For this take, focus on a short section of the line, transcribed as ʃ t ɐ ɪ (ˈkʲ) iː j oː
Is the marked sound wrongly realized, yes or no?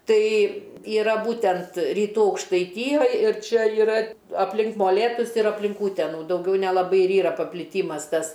yes